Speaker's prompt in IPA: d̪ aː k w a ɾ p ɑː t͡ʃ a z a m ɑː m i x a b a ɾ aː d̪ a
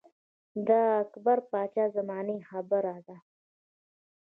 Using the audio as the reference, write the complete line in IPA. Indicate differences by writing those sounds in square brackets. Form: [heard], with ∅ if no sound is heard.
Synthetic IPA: d̪ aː k [b] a ɾ p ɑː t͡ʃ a z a m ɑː [n] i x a b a ɾ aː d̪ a